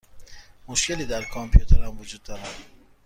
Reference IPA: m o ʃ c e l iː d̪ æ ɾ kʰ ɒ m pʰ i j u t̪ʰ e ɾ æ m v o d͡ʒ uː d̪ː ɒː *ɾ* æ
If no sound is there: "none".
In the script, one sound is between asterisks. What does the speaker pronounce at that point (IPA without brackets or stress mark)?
ɾ